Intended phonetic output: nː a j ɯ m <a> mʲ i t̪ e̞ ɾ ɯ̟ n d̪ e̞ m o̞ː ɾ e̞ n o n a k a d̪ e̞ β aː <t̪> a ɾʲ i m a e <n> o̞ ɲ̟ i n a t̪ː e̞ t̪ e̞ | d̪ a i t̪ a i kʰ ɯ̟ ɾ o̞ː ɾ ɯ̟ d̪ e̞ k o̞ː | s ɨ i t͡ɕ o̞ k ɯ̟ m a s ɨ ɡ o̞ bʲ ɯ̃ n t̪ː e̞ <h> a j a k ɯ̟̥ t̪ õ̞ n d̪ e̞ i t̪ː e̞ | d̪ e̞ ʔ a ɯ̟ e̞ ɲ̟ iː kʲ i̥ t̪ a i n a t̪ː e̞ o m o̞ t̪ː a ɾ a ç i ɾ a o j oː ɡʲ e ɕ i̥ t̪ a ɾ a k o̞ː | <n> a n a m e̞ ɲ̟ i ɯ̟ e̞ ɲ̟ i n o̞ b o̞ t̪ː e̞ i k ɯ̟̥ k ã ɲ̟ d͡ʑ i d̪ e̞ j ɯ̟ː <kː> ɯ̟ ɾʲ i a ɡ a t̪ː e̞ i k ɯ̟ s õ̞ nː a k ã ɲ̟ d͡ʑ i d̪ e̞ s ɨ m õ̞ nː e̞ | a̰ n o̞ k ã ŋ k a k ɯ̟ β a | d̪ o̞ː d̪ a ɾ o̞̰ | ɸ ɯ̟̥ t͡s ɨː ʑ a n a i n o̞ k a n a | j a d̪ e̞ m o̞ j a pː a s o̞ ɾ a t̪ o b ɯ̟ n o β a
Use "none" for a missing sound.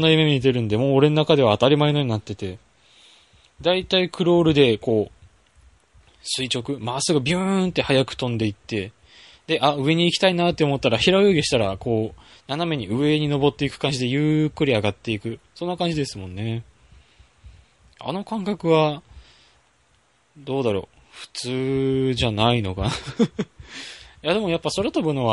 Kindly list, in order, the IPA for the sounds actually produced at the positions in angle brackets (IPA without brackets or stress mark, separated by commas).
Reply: e, t̪, n, h, n, kː